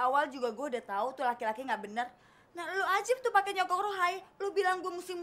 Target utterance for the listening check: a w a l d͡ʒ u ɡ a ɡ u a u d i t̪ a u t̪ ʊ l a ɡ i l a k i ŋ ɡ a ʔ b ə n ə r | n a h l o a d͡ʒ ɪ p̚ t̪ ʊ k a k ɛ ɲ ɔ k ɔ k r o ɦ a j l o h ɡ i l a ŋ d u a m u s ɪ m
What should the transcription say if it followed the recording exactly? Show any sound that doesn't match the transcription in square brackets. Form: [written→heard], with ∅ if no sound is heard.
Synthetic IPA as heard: a w a l d͡ʒ u ɡ a ɡ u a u d [i→a] t̪ a u t̪ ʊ l a [ɡ→k] i l a k i ŋ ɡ a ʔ b ə n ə r | n a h l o a d͡ʒ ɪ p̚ t̪ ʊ [k→p] a k ɛ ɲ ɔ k ɔ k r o ɦ a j l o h [ɡ→b] i l a ŋ [d→ɡ] u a m u s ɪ m